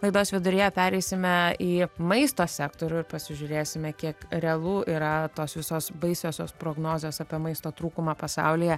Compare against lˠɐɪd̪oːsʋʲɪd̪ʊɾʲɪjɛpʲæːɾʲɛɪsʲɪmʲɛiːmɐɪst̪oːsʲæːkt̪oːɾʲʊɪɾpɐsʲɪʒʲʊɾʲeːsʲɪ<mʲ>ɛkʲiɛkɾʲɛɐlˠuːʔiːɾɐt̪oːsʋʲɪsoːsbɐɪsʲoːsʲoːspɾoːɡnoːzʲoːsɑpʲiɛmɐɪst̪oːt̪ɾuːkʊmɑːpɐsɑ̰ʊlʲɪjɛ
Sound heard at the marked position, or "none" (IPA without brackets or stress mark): mʲ